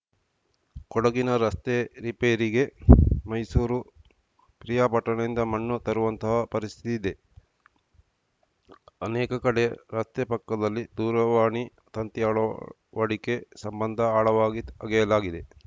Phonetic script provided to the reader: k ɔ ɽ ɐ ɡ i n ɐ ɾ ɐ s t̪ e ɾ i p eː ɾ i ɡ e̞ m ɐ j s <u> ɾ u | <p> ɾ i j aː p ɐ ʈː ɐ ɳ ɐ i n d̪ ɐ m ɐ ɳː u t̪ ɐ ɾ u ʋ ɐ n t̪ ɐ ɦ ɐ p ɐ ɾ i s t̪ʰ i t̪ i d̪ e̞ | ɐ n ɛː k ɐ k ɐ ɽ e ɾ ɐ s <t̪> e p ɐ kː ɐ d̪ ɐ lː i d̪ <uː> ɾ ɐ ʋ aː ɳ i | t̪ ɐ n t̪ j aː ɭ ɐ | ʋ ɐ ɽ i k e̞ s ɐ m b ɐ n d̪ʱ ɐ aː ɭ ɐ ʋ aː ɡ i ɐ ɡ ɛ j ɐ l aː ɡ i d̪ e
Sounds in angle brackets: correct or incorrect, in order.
incorrect, correct, correct, correct

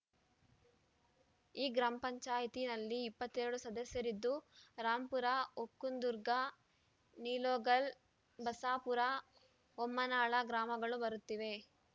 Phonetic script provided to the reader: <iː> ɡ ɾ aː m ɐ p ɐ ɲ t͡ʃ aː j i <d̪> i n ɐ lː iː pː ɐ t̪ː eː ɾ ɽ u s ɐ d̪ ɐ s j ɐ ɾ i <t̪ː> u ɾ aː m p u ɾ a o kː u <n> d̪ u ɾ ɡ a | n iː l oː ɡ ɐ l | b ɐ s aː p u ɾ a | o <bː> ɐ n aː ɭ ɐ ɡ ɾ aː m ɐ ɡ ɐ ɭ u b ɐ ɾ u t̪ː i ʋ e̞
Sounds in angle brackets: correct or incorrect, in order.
correct, incorrect, incorrect, correct, incorrect

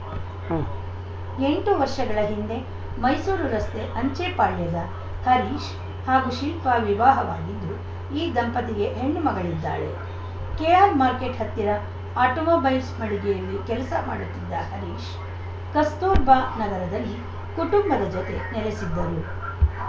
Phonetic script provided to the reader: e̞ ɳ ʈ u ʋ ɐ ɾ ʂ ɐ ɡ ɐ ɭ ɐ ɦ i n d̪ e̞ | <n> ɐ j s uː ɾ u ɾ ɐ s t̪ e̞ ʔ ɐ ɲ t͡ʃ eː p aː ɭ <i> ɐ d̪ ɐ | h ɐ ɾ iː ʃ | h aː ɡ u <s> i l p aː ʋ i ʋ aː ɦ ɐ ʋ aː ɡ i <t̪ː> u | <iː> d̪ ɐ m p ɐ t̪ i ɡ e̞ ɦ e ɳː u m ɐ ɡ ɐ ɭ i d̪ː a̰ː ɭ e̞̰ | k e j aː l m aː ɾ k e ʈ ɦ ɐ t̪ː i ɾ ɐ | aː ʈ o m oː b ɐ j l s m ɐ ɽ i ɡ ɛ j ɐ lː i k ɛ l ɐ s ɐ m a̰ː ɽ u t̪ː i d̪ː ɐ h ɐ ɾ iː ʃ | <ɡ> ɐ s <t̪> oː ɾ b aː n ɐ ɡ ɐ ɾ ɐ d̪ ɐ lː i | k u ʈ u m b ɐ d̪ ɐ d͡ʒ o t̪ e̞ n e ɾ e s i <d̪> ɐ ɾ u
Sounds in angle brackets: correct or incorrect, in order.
incorrect, incorrect, incorrect, incorrect, correct, incorrect, correct, incorrect

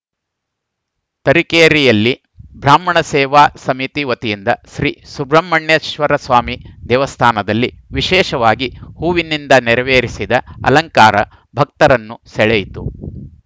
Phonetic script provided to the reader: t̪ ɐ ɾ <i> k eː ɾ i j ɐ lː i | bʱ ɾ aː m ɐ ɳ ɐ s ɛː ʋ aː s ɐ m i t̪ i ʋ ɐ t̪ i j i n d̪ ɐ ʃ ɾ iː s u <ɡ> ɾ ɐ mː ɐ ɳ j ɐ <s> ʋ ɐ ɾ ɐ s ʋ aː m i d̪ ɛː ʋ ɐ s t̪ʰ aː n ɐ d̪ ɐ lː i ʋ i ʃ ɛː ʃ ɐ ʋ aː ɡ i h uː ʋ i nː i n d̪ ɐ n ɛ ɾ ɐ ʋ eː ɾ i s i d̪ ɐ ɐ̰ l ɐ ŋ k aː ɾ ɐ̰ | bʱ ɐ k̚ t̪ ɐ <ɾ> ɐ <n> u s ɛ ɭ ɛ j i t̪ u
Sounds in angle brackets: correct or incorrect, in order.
correct, incorrect, incorrect, correct, incorrect

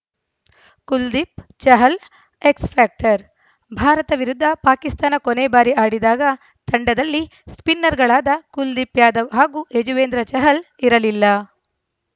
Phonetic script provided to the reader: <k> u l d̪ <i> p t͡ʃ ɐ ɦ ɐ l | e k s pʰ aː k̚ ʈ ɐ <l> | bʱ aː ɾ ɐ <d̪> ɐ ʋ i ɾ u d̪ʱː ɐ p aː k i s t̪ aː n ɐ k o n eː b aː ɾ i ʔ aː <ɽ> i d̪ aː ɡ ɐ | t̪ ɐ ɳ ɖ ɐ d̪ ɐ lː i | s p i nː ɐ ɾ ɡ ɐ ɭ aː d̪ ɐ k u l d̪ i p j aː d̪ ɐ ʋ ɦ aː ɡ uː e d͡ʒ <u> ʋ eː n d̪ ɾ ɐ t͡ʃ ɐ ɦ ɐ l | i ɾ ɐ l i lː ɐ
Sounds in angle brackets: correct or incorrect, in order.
correct, correct, incorrect, incorrect, correct, correct

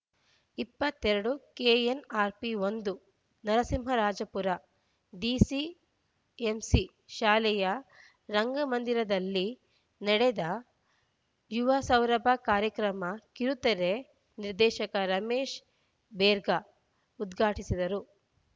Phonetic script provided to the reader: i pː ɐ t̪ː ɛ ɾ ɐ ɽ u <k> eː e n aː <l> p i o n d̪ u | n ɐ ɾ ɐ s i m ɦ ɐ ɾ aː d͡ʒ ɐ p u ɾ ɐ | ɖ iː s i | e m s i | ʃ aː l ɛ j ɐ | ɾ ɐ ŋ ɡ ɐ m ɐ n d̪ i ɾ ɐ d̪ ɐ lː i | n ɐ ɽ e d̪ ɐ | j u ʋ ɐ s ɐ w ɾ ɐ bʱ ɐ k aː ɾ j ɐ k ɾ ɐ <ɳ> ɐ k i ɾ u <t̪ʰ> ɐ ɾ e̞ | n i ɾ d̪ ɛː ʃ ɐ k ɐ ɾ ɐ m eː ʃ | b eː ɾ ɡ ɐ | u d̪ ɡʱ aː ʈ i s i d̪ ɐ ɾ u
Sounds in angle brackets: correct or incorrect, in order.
correct, incorrect, incorrect, incorrect

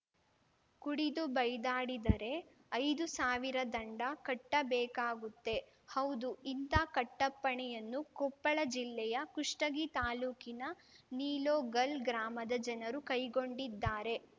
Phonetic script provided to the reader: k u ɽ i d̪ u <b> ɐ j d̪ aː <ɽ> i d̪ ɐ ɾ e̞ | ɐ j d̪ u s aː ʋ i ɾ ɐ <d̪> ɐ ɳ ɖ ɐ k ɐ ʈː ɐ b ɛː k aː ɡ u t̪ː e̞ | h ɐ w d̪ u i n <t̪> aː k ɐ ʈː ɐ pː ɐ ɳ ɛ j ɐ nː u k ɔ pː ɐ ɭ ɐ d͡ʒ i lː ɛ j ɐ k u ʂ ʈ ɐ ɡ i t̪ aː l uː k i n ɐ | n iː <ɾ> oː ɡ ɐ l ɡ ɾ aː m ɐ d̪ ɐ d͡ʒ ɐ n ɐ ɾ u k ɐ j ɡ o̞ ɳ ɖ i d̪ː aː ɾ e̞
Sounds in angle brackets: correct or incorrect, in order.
correct, correct, correct, correct, incorrect

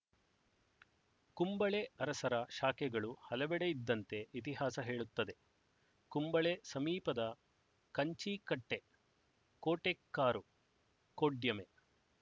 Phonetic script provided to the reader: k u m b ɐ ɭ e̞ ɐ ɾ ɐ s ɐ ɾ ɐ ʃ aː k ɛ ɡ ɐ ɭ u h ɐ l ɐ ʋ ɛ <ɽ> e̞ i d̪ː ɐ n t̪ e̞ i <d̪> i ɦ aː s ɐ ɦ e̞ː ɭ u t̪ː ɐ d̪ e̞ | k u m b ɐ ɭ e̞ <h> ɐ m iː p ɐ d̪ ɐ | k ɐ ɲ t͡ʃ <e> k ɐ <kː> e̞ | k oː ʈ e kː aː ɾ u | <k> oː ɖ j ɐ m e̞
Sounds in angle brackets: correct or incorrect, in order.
correct, incorrect, incorrect, incorrect, incorrect, correct

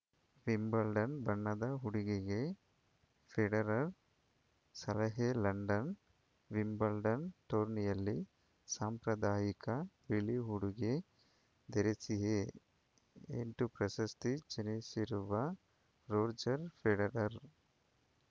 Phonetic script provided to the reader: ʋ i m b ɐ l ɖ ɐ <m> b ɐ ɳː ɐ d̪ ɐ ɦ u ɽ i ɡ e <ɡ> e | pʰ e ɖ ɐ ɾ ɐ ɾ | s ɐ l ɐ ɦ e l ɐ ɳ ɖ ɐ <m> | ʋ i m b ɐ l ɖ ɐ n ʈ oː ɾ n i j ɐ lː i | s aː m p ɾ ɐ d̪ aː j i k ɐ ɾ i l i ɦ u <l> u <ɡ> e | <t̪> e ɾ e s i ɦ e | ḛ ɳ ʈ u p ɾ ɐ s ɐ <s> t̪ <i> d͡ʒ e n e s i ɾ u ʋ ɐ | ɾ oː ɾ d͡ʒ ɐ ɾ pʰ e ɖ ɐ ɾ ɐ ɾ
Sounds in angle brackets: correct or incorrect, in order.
incorrect, correct, incorrect, incorrect, correct, incorrect, correct, correct

